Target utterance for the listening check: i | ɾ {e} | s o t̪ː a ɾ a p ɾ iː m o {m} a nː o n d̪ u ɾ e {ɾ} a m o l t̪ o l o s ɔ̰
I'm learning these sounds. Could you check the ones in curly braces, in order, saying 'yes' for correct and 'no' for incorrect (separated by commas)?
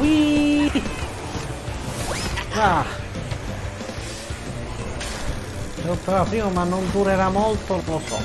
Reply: no, yes, yes